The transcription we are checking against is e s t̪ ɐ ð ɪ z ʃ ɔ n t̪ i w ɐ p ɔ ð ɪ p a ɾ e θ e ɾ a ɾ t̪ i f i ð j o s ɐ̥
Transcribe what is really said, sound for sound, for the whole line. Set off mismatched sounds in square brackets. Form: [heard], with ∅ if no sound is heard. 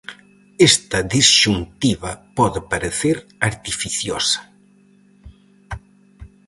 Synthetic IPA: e s t̪ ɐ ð [i] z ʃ [u] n t̪ i [β] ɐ p ɔ ð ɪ p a ɾ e θ e ɾ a ɾ t̪ i f i [θ] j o s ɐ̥